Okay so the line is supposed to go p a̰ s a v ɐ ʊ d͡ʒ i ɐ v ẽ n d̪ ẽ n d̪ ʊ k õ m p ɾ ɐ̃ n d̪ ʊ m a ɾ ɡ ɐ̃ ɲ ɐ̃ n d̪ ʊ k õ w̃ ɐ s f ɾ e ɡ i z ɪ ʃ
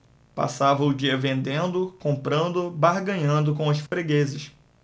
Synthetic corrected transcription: p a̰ s a v ɐ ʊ d͡ʒ i ɐ v ẽ n d̪ ẽ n d̪ ʊ k õ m p ɾ ɐ̃ n d̪ ʊ b a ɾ ɡ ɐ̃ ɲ ɐ̃ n d̪ ʊ k õ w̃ ɐ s f ɾ e ɡ e z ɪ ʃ